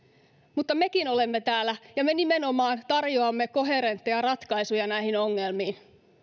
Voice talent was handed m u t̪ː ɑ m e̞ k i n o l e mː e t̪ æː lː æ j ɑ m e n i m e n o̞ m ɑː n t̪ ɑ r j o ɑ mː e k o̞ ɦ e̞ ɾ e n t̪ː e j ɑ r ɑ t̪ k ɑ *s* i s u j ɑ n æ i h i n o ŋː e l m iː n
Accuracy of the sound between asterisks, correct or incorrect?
incorrect: none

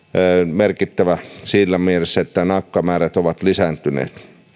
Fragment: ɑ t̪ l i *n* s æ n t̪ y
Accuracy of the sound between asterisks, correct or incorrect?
incorrect: none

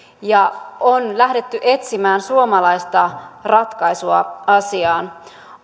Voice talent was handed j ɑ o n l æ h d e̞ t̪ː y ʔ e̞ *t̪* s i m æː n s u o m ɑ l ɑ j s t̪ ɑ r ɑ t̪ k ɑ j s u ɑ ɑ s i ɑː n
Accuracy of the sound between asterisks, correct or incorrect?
correct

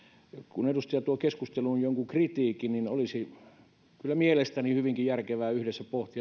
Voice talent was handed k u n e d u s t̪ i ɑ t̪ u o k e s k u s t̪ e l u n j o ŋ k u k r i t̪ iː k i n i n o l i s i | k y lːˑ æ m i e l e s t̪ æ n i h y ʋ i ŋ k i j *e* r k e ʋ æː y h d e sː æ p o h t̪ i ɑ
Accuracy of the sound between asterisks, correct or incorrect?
incorrect: æ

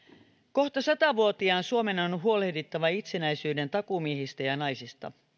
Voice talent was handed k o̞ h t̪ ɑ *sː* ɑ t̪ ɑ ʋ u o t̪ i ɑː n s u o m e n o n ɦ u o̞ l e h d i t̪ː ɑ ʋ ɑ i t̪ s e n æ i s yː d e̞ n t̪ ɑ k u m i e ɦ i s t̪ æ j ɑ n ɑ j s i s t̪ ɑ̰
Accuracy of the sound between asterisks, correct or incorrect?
incorrect: s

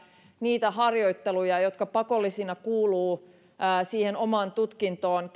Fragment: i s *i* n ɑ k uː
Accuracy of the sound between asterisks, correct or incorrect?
correct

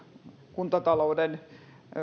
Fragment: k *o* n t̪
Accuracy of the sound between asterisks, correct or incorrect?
incorrect: u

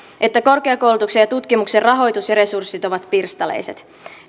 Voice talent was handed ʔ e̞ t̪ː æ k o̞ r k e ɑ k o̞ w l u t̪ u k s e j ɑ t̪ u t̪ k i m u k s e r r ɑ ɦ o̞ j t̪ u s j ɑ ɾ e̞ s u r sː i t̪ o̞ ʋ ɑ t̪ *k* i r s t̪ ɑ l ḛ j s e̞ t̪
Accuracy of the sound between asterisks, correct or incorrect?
incorrect: p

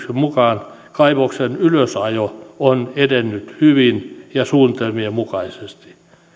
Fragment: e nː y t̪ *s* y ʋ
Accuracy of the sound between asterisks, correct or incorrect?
incorrect: h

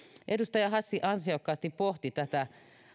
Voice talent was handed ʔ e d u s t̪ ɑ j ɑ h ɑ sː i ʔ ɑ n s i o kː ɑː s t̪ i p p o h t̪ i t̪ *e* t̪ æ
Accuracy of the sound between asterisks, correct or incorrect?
incorrect: æ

